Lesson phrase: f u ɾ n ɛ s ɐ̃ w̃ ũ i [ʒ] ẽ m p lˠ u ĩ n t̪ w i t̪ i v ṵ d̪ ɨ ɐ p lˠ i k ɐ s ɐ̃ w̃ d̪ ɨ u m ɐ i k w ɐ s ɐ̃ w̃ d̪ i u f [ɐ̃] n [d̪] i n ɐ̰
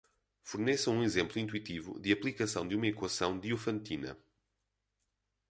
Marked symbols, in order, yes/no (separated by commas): no, yes, no